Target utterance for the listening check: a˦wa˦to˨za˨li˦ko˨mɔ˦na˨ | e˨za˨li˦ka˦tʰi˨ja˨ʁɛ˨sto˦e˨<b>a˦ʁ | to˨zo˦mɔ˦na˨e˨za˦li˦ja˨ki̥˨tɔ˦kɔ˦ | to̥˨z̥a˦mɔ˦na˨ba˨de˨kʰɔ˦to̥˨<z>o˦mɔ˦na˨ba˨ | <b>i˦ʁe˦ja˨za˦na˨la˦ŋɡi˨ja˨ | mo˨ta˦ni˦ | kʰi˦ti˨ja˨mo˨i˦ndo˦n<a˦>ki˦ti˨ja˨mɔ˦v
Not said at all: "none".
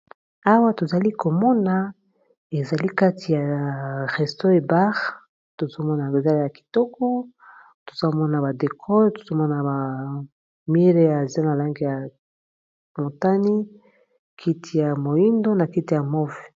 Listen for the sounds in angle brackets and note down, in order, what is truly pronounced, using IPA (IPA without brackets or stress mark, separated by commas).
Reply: b, z, m, a˨